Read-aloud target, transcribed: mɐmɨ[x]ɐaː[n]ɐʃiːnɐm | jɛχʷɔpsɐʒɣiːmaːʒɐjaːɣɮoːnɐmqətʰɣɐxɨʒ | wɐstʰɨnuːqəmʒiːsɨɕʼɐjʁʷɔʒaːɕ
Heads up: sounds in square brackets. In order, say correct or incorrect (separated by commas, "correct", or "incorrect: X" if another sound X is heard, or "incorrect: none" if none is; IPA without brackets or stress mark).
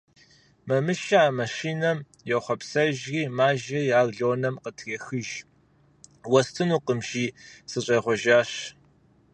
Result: incorrect: ʃ, incorrect: m